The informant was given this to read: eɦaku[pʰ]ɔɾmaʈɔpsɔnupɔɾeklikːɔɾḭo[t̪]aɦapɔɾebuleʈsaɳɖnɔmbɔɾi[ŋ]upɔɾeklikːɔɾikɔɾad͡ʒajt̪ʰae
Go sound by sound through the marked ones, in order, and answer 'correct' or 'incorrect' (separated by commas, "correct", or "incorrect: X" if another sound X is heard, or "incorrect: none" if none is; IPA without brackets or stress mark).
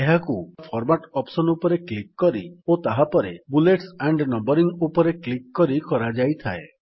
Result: correct, correct, correct